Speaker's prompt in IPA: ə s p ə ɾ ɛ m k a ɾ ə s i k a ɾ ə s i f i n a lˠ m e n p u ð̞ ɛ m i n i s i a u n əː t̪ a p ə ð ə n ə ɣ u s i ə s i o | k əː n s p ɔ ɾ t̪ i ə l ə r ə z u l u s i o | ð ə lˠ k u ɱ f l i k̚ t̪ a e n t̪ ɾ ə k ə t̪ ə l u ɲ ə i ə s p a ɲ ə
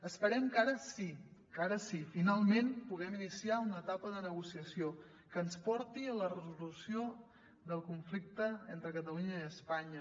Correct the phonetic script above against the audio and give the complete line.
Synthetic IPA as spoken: ə s p ə ɾ ɛ m k a ɾ ə s i k a ɾ ə s i f i n a lˠ m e n p u ɣ̞ ɛ m i n i s i a u n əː t̪ a p ə ð ə n ə ɣ u s i ə s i o | k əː n s p ɔ ɾ t̪ i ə l ə r ə z u l u s i o | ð ə lˠ k u ɱ f l i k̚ t̪ ə e n t̪ ɾ ə k ə t̪ ə l u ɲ ə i ə s p a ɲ ə

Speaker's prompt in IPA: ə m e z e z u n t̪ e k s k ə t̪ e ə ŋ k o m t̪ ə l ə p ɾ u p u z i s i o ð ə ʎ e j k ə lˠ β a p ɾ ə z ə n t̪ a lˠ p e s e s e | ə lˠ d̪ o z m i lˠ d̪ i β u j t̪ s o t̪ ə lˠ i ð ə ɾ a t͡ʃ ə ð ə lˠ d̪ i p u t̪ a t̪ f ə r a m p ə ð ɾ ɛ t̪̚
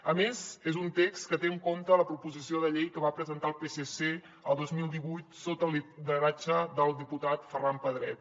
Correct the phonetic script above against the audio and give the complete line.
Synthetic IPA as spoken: ə m e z e z u n t̪ e k s k ə t̪ e ə ŋ k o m t̪ ə l ə p ɾ u p u z i s i o ð ə ʎ e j k ə β a p ɾ ə z ə n t̪ a lˠ p e s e s e | ə lˠ d̪ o z m i lˠ d̪ i β u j t̪ s o t̪ ə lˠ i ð ə ɾ a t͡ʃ ə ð ə lˠ d̪ i p u t̪ a t̪ f ə r a m p ə ð ɾ ɛ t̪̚

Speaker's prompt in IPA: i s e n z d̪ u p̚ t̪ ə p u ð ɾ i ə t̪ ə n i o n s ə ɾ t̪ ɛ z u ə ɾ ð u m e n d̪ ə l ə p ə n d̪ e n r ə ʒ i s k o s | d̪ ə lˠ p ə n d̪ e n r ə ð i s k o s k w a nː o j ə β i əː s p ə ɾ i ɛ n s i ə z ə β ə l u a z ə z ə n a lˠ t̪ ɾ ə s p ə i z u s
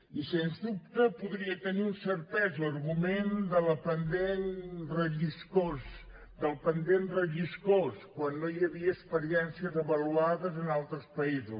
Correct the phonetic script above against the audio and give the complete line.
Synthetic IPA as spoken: i s e n z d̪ u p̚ t̪ ə p u ð ɾ i ə t̪ ə n i u n s ə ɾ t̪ ɛ z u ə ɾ ɣ u m e n d̪ ə l ə p ə n d̪ e n r ə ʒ i s k o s | d̪ ə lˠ p ə n d̪ e n r ə ʒ i s k o s k w a nː o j ə β i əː s p ə ɾ i ɛ n s i ə z ə β ə l u a ð ə z ə n a lˠ t̪ ɾ ə s p ə i z u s

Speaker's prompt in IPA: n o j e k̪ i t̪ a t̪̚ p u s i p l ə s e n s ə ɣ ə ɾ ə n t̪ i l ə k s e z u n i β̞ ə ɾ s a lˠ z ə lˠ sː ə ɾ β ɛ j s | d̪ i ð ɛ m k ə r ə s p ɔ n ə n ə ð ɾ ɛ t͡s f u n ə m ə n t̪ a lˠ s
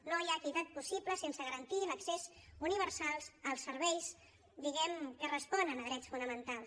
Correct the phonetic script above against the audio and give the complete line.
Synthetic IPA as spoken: n o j a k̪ i t̪ a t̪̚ p u s i p l ə s e n s ə ɣ ə ɾ ə n t̪ i l ə k s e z u n i β̞ ə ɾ s a lˠ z ə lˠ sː ə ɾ β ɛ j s | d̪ i ɣ ɛ m k ə r ə s p ɔ n ə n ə ð ɾ ɛ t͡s f u n ə m ə n t̪ a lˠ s

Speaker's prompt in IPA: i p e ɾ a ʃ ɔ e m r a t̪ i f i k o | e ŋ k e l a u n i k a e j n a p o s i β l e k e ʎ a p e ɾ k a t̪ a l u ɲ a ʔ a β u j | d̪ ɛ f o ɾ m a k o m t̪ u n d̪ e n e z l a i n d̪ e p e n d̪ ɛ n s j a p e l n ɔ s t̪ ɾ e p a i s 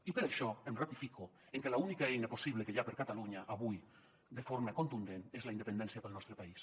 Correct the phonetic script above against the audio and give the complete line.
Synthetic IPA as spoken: i p e ɾ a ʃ ɔ e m r a t̪ i f i k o | e ŋ k e l a u n i k a e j n a p o s i β l e k e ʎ a p e ɾ k a t̪ a l u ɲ a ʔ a β u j | d̪ e f o ɾ m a k o n t̪ u n d̪ e n e z l a i n d̪ e p e n d̪ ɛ n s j a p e l n ɔ s t̪ ɾ e p a i s

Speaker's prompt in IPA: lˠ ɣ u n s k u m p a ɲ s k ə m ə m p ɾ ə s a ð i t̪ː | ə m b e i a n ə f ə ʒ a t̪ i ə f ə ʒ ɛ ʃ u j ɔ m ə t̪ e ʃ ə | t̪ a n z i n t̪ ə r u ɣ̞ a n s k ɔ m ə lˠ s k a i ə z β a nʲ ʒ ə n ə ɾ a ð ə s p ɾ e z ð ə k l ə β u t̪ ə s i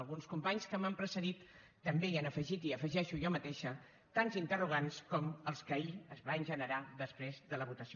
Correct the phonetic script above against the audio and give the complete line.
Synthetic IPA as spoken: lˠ ɣ u n s k u m p a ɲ s k ə m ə m p ɾ ə s ə ð i t̪ː | ə m b e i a n ə f ə ʒ i t̪ i ə f ə ʒ ɛ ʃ u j ɔ m ə t̪ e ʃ ə | t̪ a n z i n t̪ ə r u ɣ̞ a n s k ɔ m ə lˠ s k ə i ə z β a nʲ ʒ ə n ə ɾ a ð ə s p ɾ e z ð ə l ə β u t̪ ə s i

